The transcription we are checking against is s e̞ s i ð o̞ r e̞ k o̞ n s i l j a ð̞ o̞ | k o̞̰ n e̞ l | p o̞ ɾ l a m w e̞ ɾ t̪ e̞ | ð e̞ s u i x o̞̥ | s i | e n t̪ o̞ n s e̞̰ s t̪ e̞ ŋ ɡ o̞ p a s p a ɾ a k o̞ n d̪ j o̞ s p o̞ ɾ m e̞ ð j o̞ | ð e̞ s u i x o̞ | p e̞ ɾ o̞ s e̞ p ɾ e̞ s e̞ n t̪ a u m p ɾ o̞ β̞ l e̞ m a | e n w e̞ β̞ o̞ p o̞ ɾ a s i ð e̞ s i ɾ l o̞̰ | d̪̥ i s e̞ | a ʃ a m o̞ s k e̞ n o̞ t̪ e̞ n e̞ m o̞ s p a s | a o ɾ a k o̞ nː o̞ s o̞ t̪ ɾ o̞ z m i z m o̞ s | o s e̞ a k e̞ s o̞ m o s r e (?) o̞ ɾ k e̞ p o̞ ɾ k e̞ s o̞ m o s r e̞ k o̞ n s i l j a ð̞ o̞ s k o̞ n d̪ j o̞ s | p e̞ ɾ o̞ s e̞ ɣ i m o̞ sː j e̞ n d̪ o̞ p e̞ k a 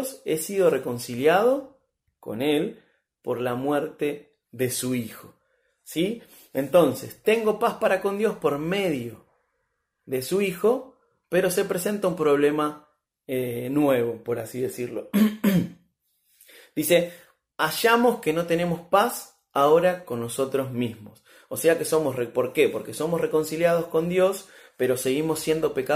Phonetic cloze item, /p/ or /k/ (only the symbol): p